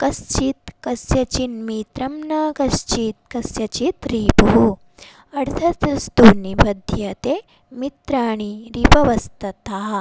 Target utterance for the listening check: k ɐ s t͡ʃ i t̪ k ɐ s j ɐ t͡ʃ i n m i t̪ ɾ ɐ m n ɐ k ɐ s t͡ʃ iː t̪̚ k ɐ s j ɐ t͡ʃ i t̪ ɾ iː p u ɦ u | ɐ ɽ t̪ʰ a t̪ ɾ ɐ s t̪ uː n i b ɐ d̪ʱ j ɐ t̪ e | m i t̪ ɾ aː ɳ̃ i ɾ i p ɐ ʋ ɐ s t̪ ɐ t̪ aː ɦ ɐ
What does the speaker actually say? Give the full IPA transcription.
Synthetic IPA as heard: k ɐ s t͡ʃ i t̪ k ɐ s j ɐ t͡ʃ i n m i t̪ ɾ ɐ m n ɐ k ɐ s t͡ʃ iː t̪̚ k ɐ s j ɐ t͡ʃ i t̪ ɾ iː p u ɦ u | ɐ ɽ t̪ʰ ɐ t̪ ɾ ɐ s t̪ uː n i b ɐ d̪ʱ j ɐ t̪ e | m i t̪ ɾ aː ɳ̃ i ɾ i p ɐ ʋ ɐ s t̪ ɐ t̪ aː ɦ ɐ